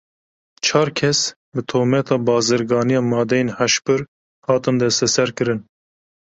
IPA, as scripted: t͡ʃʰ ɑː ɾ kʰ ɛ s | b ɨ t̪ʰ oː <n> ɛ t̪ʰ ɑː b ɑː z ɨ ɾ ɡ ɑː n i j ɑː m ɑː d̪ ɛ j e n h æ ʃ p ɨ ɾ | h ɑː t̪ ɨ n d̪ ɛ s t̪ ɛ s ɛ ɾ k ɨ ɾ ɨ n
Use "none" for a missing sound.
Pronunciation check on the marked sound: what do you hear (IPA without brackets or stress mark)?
m